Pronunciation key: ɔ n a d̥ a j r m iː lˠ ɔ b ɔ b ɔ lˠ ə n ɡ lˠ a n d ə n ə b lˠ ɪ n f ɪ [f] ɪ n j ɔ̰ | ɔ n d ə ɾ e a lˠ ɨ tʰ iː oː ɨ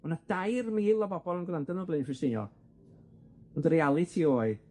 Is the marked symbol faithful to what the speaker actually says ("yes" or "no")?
no